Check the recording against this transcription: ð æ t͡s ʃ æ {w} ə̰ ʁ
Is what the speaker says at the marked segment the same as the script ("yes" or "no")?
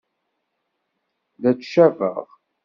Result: no